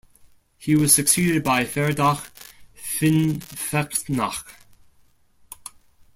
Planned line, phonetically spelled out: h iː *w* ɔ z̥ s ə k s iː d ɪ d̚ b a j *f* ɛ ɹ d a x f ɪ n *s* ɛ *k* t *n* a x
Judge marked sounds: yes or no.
yes, yes, no, yes, yes

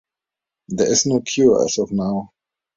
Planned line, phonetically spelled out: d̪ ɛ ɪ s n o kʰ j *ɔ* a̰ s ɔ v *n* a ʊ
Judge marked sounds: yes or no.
no, yes

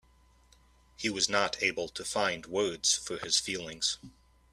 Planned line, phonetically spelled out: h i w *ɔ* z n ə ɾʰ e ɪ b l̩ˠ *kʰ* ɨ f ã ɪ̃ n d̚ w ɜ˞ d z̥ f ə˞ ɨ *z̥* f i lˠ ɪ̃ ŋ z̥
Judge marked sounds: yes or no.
no, no, yes

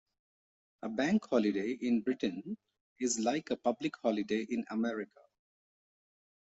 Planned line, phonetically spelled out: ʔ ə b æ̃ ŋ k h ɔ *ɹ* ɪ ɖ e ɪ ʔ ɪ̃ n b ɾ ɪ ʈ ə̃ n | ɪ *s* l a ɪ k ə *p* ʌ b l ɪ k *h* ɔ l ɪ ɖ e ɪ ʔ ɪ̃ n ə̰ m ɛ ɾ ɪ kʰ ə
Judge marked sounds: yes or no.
no, no, yes, yes

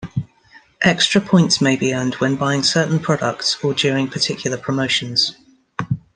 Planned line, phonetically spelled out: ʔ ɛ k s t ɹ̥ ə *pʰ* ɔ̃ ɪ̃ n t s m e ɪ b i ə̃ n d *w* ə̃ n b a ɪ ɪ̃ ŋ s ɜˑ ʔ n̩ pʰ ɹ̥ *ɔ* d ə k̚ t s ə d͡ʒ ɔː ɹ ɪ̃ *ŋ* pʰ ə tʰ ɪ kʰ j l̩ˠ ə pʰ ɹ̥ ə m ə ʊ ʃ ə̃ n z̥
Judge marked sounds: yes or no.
yes, yes, no, yes

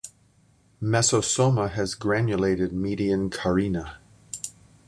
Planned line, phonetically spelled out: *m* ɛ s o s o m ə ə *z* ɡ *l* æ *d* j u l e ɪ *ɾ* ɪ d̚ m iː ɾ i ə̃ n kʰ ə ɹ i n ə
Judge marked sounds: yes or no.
yes, yes, no, no, yes

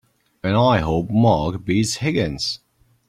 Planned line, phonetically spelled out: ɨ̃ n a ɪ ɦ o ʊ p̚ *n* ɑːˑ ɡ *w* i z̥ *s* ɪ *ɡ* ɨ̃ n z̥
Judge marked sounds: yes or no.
no, no, no, yes

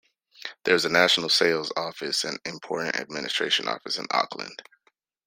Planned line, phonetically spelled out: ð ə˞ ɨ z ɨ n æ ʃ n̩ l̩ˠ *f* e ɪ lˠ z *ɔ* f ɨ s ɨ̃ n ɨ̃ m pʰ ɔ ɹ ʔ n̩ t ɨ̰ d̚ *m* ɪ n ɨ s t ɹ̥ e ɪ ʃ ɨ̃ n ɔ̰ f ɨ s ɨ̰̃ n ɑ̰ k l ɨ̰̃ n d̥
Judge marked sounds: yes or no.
no, yes, yes

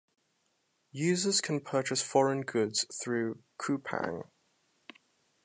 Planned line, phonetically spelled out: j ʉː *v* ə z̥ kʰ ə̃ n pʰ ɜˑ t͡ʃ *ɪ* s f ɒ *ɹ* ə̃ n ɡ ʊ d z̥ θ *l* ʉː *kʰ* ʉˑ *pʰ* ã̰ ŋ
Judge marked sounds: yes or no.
no, yes, yes, no, yes, yes

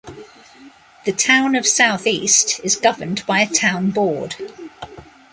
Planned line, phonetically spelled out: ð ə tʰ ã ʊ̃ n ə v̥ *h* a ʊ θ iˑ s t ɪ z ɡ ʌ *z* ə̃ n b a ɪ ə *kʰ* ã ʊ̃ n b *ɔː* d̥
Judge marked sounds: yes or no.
no, no, no, yes

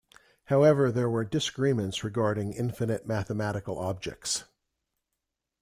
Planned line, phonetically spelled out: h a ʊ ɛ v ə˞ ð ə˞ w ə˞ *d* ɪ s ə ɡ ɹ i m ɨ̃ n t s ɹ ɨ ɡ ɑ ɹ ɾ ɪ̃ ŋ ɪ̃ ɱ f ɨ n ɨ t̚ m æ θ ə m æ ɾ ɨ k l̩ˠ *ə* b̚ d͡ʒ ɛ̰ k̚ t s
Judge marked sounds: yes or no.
yes, no

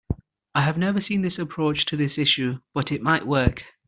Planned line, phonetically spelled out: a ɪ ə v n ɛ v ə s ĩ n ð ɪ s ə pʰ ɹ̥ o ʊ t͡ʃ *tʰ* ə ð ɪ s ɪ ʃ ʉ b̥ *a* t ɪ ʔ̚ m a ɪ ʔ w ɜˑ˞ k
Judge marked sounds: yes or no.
yes, no

